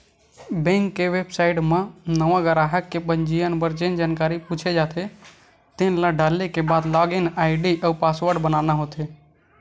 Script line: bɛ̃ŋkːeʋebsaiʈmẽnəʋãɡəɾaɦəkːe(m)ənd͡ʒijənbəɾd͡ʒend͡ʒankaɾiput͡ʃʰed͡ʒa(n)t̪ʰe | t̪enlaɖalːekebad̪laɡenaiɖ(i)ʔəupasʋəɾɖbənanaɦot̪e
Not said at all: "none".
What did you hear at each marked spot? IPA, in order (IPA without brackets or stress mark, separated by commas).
b, none, i